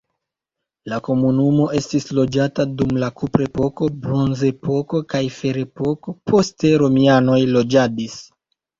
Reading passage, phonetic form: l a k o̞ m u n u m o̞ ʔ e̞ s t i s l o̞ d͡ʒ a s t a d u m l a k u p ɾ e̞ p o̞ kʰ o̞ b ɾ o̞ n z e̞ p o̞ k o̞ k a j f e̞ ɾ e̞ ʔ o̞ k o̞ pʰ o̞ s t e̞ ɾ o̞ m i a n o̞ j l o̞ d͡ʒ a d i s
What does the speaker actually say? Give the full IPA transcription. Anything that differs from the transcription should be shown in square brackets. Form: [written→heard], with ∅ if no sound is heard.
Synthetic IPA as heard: l a k o̞ m u n u m o̞ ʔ e̞ s t i s l o̞ d͡ʒ a [s→∅] t a d u m l a k u p ɾ e̞ p o̞ [kʰ→k] o̞ b ɾ o̞ n z e̞ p o̞ k o̞ k a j f e̞ ɾ e̞ [ʔ→p] o̞ k o̞ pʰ o̞ s t e̞ ɾ o̞ m i a n o̞ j l o̞ d͡ʒ a d i s